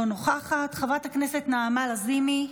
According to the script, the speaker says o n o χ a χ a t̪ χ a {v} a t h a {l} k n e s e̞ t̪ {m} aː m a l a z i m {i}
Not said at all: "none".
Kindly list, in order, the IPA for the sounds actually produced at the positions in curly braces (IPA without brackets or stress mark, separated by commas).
v, none, n, i